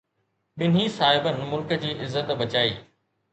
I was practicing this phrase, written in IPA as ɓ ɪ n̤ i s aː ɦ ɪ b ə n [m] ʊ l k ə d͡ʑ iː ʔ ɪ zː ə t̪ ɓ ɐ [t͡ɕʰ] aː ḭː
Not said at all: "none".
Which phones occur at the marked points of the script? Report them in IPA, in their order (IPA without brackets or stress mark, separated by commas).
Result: m, t͡ɕ